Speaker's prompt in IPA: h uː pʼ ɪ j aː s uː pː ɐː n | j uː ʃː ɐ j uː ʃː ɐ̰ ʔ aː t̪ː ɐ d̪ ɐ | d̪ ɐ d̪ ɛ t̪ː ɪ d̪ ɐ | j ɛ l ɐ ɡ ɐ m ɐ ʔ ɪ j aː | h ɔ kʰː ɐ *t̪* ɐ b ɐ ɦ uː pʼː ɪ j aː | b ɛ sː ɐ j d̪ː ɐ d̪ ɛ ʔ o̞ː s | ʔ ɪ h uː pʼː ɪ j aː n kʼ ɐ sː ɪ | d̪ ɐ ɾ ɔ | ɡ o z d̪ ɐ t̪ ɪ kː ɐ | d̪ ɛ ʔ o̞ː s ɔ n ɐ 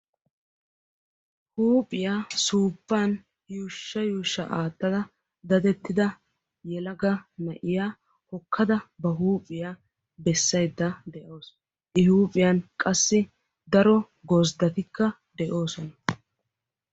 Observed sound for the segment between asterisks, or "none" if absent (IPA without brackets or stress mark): d̪